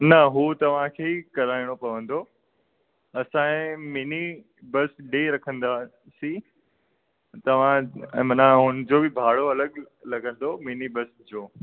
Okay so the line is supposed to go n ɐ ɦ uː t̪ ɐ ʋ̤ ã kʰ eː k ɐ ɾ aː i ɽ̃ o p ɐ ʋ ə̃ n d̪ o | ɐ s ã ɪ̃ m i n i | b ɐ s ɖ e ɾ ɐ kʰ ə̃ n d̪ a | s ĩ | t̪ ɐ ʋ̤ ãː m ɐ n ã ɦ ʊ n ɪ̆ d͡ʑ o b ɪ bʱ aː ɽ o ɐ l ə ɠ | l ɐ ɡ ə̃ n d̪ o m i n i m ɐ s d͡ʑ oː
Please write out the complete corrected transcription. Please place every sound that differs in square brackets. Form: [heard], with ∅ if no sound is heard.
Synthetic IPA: n ɐ ɦ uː t̪ ɐ ʋ̤ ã kʰ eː k ɐ ɾ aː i ɽ̃ o p ɐ ʋ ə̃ n d̪ o | ɐ s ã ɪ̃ m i n i | b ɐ s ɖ e ɾ ɐ kʰ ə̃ n d̪ a | s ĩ | t̪ ɐ ʋ̤ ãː m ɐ n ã ɦ ʊ n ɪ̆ d͡ʑ o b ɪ bʱ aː ɽ o ɐ l ə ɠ | l ɐ ɡ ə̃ n d̪ o m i n i [b] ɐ s d͡ʑ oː

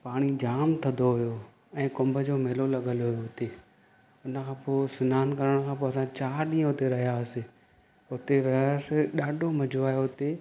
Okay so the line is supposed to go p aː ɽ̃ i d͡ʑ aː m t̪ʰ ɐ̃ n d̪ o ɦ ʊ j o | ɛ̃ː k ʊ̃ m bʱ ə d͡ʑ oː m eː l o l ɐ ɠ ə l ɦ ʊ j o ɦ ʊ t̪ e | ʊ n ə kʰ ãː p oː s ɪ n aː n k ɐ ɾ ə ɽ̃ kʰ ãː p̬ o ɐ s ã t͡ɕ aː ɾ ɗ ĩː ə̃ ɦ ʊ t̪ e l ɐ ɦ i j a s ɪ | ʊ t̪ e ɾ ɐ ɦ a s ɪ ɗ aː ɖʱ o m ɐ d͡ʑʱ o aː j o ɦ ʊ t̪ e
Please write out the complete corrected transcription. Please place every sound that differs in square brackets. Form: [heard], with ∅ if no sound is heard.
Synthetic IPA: p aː ɽ̃ i d͡ʑ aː m t̪ʰ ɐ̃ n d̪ o ɦ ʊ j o | ɛ̃ː k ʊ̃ m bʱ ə d͡ʑ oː m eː l o l ɐ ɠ ə l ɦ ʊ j o ɦ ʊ t̪ e | ʊ n ə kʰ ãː p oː s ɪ n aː n k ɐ ɾ ə ɽ̃ kʰ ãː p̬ o ɐ s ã t͡ɕ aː ɾ ɗ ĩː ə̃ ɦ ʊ t̪ e [ɾ] ɐ ɦ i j a s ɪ | ʊ t̪ e ɾ ɐ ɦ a s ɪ ɗ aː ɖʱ o m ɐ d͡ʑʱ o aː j o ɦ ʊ t̪ e

